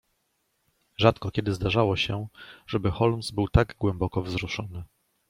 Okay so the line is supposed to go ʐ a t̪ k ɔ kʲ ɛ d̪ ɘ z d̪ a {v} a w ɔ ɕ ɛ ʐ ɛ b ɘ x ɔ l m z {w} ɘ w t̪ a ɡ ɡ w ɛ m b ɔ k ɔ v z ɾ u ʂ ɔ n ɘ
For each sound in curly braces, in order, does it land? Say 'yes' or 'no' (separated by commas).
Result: no, no